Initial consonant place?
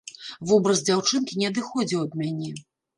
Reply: labial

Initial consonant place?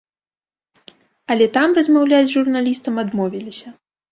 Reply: alveolar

